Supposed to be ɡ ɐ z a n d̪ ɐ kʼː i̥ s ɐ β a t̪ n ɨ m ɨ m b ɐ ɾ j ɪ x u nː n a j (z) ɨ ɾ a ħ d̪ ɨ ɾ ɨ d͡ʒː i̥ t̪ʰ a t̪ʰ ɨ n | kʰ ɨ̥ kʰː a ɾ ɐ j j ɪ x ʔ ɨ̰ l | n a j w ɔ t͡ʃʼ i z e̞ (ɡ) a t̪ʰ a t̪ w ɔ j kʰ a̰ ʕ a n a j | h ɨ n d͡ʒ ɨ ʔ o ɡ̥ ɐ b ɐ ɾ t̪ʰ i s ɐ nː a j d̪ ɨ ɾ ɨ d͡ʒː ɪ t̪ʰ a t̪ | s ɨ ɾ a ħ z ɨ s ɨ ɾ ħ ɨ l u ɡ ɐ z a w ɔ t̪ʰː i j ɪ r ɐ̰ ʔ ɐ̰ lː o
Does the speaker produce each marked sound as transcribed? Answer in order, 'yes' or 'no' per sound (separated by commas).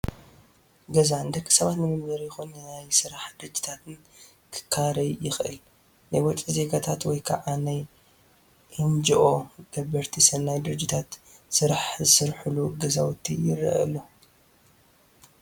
no, yes